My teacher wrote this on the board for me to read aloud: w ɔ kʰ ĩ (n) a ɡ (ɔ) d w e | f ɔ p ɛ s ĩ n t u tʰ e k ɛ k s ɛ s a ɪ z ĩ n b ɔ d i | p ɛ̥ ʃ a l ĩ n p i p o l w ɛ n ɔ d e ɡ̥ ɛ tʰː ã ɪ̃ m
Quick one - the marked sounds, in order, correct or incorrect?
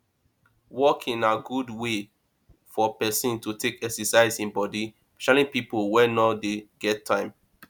correct, incorrect

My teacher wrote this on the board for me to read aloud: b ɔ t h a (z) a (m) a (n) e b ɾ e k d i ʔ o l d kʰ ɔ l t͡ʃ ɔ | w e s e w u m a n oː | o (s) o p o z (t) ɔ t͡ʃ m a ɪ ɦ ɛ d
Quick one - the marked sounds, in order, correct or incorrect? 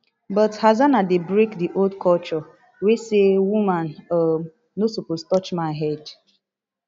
correct, incorrect, incorrect, correct, correct

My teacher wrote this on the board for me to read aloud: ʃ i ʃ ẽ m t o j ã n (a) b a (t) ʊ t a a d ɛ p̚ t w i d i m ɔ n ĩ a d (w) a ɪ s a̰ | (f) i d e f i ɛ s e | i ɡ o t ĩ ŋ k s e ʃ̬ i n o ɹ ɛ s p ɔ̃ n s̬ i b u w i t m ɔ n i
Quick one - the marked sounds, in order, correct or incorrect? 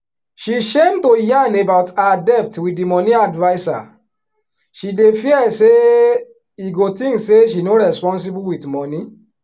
incorrect, incorrect, incorrect, incorrect

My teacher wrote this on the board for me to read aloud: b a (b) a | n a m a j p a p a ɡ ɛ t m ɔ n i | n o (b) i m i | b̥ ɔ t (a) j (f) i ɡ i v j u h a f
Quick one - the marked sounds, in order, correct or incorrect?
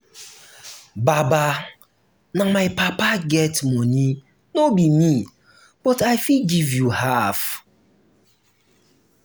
correct, correct, correct, correct

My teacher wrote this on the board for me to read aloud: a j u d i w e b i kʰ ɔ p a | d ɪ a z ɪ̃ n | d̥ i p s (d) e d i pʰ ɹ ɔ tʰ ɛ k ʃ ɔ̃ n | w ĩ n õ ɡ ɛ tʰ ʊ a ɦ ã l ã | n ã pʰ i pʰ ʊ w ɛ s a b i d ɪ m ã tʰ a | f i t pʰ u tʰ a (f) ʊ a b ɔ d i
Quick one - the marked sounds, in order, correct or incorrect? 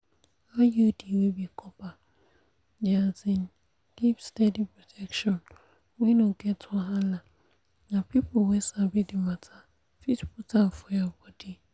incorrect, correct

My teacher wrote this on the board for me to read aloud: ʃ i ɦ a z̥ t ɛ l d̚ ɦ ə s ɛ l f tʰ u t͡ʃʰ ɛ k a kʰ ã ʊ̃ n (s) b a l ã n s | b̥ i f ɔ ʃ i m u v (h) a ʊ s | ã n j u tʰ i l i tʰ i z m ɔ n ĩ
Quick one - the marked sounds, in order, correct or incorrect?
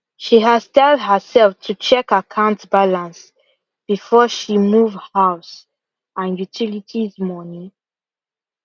incorrect, correct

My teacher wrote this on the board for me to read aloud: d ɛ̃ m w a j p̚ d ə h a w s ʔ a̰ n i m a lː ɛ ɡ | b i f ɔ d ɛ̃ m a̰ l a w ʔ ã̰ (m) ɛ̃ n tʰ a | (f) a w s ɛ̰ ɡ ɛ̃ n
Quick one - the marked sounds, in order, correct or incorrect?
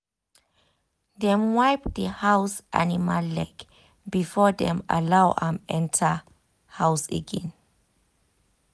correct, incorrect

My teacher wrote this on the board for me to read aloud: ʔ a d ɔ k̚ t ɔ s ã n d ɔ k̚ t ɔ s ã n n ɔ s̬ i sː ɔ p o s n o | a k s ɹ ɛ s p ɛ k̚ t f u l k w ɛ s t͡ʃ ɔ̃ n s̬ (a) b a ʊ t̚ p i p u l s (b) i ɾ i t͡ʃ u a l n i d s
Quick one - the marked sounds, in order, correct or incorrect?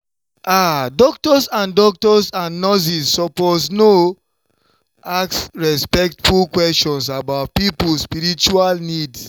correct, incorrect

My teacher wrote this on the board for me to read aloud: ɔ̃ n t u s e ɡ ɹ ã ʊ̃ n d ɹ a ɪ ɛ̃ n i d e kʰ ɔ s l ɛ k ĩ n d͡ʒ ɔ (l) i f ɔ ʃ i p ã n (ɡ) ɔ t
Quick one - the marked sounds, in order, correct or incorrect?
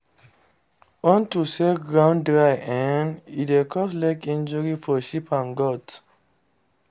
incorrect, correct

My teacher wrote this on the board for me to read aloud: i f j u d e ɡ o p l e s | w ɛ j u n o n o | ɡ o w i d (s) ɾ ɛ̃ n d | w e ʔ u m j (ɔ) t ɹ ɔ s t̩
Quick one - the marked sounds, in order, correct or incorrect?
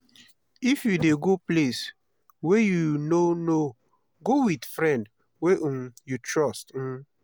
incorrect, incorrect

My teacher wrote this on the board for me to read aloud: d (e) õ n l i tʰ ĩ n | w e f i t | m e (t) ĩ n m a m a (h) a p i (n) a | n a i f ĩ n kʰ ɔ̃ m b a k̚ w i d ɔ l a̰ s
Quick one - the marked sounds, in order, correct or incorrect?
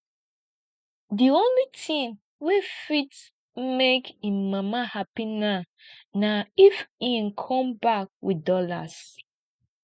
incorrect, incorrect, correct, correct

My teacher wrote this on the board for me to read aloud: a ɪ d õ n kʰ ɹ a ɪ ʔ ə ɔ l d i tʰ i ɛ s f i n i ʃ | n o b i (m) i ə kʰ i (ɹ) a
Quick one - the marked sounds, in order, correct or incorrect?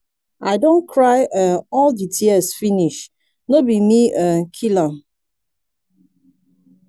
correct, incorrect

